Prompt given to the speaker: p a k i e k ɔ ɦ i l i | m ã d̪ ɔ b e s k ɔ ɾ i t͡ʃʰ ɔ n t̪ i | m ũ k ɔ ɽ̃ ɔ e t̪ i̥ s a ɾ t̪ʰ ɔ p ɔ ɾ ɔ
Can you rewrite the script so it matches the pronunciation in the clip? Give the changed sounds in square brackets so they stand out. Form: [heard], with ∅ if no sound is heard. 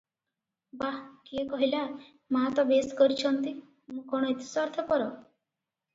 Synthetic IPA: [b] a k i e k ɔ ɦ i l [a] | m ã [t̪] ɔ b e s k ɔ ɾ i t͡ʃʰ ɔ n t̪ i | m ũ k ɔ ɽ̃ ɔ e t̪ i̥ s a ɾ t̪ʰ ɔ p ɔ ɾ ɔ